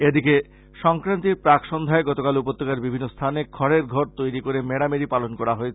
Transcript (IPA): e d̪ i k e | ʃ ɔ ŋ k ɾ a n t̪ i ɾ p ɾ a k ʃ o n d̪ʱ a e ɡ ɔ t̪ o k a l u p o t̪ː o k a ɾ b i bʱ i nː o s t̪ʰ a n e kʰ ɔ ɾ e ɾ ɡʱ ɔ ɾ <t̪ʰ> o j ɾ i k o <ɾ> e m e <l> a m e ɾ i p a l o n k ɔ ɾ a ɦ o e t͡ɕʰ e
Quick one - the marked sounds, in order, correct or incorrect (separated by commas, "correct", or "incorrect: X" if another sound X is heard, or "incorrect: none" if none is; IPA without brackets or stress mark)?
incorrect: t̪, correct, incorrect: ɽ